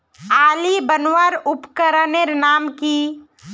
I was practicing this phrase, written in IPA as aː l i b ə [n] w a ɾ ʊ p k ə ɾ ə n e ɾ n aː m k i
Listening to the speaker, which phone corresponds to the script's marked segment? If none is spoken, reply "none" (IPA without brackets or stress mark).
n